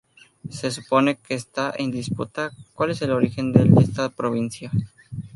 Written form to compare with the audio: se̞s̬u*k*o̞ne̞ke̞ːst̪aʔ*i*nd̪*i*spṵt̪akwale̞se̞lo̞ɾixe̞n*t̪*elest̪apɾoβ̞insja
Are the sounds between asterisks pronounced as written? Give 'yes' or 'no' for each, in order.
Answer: no, no, yes, no

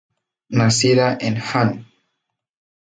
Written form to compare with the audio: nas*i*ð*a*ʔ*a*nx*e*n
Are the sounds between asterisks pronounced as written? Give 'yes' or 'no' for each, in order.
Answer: yes, yes, no, no

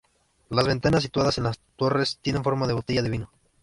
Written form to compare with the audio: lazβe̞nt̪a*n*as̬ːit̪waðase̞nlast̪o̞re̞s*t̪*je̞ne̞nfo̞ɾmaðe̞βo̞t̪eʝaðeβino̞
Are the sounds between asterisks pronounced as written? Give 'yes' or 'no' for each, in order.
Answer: yes, yes

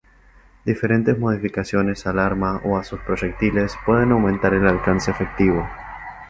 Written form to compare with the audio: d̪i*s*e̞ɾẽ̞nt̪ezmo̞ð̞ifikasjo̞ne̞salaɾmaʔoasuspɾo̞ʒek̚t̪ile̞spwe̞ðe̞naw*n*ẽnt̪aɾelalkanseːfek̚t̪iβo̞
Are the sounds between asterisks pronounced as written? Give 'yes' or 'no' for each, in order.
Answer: no, no

